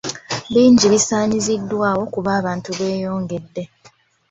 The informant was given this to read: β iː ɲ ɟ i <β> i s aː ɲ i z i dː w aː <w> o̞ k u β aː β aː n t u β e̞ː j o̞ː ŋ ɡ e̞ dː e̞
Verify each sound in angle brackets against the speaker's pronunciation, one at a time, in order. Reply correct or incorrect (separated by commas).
correct, correct